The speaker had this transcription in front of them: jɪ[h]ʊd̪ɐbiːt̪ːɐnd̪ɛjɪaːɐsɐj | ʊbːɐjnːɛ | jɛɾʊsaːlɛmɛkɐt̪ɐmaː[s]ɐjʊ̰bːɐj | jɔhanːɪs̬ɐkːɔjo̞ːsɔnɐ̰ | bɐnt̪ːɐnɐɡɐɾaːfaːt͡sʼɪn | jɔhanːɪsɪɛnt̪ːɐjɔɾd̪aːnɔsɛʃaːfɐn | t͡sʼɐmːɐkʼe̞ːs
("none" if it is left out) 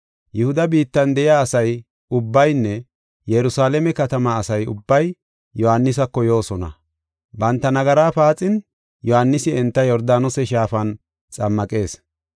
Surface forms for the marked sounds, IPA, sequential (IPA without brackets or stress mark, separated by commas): h, s